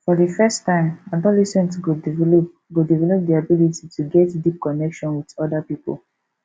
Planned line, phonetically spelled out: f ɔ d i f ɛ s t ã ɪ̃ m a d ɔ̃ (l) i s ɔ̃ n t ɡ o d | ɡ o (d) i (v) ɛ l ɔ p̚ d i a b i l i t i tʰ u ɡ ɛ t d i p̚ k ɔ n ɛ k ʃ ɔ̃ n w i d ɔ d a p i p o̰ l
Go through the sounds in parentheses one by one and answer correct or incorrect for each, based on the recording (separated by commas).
correct, correct, correct